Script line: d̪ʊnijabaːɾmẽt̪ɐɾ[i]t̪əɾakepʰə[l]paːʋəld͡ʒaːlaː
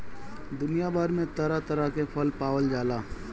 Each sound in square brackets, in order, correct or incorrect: incorrect, correct

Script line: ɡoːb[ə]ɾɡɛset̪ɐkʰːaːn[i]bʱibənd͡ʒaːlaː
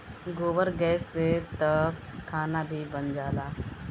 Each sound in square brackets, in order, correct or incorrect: correct, incorrect

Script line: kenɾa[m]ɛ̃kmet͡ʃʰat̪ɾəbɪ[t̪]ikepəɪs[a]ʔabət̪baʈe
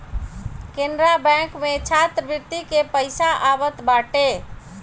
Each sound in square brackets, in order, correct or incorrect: incorrect, correct, correct

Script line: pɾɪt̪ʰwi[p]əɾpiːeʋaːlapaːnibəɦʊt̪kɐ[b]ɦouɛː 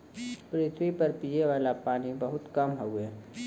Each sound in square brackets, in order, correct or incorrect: correct, incorrect

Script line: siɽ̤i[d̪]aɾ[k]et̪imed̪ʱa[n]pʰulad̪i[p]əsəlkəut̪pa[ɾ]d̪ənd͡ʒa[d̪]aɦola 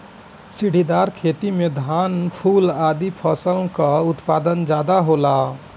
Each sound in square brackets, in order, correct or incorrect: correct, incorrect, correct, incorrect, incorrect, correct

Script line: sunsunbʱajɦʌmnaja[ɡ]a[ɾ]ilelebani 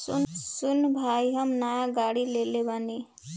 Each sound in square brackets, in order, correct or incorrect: correct, incorrect

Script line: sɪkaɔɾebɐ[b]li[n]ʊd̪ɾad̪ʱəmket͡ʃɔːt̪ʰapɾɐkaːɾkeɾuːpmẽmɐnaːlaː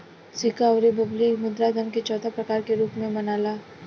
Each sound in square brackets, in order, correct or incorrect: correct, incorrect

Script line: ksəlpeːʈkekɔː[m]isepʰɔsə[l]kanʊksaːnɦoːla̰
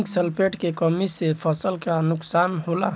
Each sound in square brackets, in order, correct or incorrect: correct, correct

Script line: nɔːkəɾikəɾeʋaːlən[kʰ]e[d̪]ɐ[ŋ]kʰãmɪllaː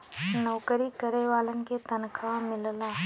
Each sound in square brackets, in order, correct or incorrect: incorrect, incorrect, incorrect

